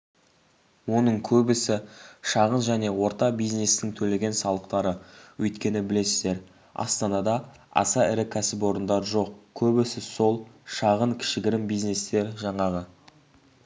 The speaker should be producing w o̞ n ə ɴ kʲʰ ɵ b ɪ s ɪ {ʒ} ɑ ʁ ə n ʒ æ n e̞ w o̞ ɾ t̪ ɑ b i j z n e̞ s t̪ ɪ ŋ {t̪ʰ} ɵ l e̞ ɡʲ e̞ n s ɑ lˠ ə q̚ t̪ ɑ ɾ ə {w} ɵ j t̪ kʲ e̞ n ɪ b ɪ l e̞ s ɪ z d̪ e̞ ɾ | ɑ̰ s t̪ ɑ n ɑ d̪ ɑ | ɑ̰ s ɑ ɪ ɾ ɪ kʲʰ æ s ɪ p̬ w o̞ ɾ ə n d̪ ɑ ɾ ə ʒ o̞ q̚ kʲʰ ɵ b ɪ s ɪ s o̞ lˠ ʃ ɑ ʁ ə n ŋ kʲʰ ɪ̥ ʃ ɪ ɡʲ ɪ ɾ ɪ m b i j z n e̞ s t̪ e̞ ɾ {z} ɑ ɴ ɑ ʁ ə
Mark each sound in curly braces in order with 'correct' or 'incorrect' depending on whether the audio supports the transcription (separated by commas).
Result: incorrect, correct, correct, incorrect